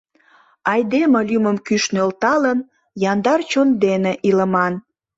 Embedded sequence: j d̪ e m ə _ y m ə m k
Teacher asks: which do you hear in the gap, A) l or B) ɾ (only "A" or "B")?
A